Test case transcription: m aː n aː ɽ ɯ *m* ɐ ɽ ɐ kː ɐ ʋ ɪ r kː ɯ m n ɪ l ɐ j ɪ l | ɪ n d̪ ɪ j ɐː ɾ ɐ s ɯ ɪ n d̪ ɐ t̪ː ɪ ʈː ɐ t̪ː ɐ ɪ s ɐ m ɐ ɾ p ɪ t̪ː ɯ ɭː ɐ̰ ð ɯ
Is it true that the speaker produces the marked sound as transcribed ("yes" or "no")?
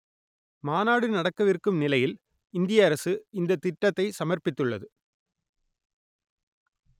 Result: no